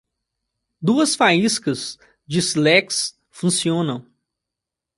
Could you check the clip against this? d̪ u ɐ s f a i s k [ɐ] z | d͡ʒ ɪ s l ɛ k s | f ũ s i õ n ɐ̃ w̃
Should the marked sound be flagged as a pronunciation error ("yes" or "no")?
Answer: no